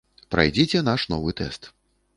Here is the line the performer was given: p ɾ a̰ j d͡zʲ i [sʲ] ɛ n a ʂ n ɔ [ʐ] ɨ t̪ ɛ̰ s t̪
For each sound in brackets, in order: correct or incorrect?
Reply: incorrect, incorrect

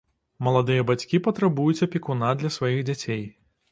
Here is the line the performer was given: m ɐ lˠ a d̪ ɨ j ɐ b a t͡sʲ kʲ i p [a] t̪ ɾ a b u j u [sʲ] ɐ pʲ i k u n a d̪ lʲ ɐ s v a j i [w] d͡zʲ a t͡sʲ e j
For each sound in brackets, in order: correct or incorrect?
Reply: incorrect, incorrect, incorrect

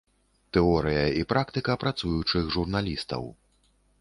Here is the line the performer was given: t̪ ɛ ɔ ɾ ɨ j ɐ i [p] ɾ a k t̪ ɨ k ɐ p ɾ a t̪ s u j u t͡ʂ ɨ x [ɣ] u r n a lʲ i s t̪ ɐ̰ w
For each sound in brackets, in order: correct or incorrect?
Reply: correct, incorrect

